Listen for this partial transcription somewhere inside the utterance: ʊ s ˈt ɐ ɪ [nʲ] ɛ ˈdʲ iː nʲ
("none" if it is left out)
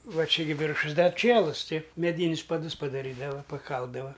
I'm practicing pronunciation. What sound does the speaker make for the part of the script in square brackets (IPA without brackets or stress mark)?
mʲ